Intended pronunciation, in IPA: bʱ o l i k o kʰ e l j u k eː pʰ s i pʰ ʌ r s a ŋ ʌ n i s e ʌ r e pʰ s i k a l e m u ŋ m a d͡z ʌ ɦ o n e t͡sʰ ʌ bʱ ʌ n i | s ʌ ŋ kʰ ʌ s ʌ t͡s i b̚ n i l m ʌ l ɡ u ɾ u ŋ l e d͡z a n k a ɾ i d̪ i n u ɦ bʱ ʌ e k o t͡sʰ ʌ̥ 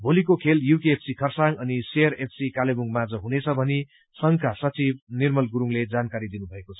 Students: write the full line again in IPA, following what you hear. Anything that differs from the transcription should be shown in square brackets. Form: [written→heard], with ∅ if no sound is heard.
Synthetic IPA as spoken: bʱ o l i k o kʰ e l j u k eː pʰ s i [pʰ→kʰ] ʌ r s a ŋ ʌ n i s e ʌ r e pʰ s i k a l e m u ŋ m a d͡z ʌ ɦ [o→u] n e t͡sʰ ʌ bʱ ʌ n i | s ʌ ŋ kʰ [ʌ→a] s ʌ t͡s i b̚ n i [l→r] m ʌ l ɡ u ɾ u ŋ l e d͡z a n k a ɾ i d̪ i n u [ɦ→∅] bʱ ʌ e k o t͡sʰ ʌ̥